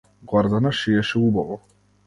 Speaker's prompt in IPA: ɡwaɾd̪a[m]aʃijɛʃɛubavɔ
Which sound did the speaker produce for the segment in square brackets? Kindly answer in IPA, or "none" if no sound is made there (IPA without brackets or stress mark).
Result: n